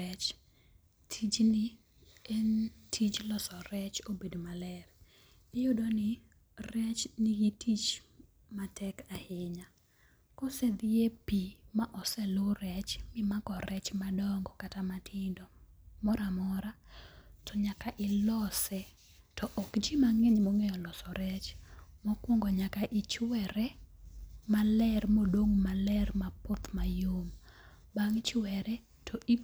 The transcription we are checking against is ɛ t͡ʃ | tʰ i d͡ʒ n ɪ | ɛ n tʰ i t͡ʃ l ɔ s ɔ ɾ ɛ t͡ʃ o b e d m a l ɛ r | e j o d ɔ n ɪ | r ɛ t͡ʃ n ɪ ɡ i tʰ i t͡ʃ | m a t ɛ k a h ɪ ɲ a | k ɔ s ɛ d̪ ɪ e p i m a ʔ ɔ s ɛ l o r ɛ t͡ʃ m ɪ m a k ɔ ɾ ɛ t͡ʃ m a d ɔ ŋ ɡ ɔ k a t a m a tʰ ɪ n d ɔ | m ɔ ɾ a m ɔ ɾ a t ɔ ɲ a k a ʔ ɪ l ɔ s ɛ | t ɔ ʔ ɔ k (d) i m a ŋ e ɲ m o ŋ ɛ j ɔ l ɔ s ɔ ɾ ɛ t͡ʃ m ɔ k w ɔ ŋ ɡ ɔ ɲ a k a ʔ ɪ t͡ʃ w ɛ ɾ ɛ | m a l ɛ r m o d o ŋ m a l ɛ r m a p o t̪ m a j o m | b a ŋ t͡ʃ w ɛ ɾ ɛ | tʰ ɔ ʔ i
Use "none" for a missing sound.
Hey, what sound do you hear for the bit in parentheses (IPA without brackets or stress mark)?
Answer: d͡ʒ